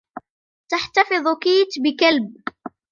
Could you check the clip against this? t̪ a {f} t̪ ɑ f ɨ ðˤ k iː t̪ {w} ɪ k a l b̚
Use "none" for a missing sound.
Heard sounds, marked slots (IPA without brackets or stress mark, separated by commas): ħ, b